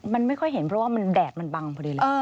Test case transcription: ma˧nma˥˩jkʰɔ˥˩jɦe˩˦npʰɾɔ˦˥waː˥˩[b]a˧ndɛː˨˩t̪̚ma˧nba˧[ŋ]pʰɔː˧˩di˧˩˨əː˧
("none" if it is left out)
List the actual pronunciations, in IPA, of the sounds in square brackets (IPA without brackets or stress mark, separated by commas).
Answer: m, ŋ